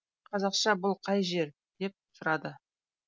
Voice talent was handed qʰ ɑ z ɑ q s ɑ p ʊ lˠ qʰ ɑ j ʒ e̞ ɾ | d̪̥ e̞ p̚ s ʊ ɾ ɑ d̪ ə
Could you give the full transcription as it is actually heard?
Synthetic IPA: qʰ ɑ z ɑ q ʃ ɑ b ʊ lˠ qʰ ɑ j ʒ e̞ ɾ | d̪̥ e̞ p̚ s ʊ ɾ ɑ d̪ ə